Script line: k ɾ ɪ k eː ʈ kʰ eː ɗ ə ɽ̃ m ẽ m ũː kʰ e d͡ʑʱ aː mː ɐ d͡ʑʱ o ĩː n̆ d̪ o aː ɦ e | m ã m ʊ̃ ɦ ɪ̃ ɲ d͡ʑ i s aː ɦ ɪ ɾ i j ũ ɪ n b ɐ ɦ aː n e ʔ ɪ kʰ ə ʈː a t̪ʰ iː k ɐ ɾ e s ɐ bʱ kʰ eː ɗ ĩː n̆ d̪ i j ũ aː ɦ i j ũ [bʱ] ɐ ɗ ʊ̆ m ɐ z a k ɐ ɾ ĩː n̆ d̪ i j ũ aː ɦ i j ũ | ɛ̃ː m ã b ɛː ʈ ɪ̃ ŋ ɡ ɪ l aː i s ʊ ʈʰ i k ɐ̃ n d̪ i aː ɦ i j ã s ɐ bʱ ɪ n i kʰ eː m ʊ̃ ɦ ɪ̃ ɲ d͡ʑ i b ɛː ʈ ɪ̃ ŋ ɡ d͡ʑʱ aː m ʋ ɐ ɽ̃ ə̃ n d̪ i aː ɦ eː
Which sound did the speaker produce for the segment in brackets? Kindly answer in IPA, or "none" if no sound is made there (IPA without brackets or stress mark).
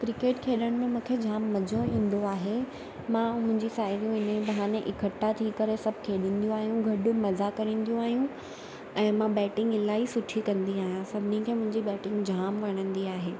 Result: ɡʱ